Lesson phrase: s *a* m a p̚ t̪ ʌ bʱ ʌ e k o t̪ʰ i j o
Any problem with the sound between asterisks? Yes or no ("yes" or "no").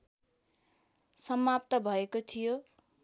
yes